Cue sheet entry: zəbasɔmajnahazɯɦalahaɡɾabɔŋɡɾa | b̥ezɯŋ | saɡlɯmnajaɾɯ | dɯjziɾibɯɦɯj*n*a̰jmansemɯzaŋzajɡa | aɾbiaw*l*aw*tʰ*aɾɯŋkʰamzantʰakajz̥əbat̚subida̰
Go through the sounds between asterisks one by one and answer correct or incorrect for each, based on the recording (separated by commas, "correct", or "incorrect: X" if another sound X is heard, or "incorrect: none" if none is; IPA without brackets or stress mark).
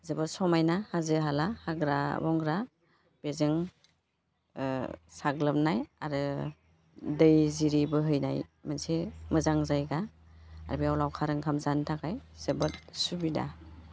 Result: correct, correct, incorrect: kʰ